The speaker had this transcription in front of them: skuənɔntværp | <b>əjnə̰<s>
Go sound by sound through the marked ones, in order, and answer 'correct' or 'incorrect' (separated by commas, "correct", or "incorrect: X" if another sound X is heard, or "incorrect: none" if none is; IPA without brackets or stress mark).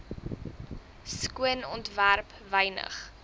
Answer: incorrect: v, incorrect: χ